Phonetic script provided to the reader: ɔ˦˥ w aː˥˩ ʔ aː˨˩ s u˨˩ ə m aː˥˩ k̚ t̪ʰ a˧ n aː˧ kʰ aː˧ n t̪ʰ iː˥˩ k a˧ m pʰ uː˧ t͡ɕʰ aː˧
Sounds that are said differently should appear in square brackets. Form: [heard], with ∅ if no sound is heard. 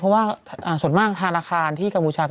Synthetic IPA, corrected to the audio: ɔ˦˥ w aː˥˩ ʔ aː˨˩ s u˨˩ ə m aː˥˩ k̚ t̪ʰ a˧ n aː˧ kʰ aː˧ n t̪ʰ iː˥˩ k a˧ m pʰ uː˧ t͡ɕʰ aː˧